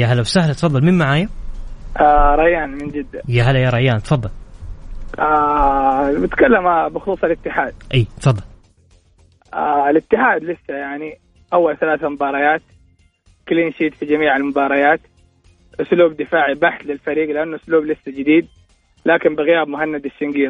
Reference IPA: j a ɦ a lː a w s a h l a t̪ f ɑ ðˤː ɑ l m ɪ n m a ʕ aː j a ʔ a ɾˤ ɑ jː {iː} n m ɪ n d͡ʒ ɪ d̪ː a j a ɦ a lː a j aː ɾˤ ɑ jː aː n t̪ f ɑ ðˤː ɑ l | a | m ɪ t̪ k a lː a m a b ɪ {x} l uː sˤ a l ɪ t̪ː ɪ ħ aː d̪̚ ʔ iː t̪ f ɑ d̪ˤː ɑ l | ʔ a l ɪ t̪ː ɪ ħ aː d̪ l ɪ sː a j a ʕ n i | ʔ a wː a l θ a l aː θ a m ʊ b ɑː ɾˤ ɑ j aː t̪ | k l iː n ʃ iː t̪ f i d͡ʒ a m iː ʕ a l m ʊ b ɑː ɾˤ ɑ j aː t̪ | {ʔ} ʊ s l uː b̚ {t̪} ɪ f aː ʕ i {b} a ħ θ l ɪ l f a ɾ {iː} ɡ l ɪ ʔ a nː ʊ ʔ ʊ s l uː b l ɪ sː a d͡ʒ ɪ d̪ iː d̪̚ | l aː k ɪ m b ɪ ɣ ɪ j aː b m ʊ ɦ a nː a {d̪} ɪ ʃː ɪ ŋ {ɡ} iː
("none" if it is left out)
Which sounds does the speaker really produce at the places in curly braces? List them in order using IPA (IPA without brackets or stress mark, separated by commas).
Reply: aː, x, ʔ, d̪, b, iː, d̪, ɡ